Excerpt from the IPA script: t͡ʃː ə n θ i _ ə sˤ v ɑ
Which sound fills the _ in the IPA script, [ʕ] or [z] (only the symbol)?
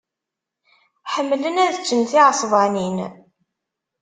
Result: ʕ